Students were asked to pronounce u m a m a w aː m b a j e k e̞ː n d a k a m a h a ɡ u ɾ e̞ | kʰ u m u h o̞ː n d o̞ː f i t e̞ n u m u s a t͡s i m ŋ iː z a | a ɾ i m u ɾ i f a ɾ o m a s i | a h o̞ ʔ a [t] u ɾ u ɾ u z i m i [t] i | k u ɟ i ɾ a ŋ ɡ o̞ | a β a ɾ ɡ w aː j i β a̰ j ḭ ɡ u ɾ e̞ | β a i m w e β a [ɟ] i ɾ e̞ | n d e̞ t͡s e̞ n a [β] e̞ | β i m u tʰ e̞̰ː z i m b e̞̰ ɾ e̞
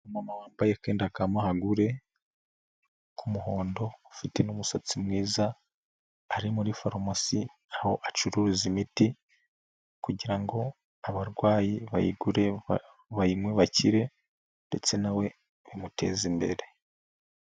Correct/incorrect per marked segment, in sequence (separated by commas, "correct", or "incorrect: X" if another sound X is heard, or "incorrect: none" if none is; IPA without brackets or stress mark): incorrect: t͡ʃ, correct, incorrect: c, incorrect: w